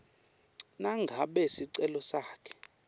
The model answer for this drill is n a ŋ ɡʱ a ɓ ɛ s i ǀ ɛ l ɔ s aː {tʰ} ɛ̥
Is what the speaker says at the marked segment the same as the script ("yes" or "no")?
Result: no